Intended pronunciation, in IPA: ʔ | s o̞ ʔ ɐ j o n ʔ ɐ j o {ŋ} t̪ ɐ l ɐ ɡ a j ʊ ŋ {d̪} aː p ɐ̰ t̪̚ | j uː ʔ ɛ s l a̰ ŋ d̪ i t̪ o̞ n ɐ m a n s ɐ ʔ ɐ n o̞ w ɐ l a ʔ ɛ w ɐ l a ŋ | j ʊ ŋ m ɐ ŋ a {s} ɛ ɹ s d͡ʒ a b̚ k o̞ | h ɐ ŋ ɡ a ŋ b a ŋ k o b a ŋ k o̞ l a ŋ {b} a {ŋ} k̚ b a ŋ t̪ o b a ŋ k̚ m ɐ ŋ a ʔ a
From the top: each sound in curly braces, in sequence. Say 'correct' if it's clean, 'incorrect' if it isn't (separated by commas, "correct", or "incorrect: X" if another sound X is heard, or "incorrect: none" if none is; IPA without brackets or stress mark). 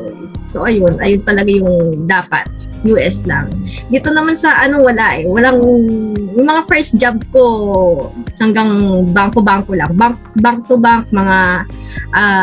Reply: incorrect: n, correct, incorrect: f, correct, correct